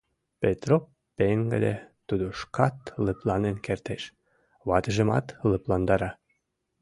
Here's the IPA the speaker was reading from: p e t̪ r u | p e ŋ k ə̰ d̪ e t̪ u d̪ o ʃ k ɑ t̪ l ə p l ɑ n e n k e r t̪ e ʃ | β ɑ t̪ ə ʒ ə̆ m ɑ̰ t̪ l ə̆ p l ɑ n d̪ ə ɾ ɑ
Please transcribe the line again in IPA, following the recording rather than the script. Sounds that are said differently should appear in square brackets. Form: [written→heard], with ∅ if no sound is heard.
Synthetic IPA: p e t̪ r [u→o] | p e ŋ [k→ɡ] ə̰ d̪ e t̪ u d̪ o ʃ k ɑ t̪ l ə p l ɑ n e n k e r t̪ e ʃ | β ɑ t̪ ə ʒ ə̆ m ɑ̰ t̪ l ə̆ p l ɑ n d̪ [ə→ɑ] ɾ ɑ